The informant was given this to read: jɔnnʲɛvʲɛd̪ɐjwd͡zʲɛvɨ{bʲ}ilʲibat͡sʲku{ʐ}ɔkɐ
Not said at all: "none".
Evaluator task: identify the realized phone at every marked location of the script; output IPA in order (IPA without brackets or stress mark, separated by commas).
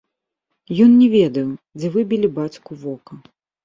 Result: bʲ, v